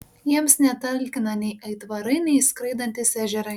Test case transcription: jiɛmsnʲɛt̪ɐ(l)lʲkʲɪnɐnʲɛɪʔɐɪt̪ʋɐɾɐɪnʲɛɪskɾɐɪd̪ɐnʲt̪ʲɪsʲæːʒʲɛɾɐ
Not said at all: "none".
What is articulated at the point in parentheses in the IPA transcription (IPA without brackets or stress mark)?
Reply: l